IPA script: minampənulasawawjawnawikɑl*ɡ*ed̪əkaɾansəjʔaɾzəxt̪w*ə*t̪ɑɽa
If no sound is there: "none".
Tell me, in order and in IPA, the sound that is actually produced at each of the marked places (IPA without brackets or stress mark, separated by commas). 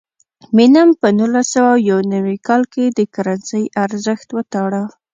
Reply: k, ə